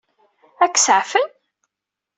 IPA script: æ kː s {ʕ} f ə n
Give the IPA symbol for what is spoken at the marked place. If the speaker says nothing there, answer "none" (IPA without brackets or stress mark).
ʕ